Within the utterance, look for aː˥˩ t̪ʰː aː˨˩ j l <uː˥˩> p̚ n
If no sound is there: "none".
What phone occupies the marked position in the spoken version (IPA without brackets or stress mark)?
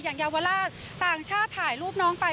uː˥˩